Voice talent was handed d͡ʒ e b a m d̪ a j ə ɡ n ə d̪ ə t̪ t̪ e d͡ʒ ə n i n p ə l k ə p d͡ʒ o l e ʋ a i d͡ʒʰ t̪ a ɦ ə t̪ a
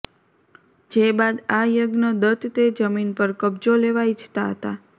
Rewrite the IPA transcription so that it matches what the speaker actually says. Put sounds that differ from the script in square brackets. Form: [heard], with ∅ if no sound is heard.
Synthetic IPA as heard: d͡ʒ e b a [∅] d̪ a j ə ɡ n ə d̪ ə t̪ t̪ e d͡ʒ ə [m] i n p ə [ɾ] k ə [b] d͡ʒ o l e ʋ a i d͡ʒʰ t̪ a ɦ ə t̪ a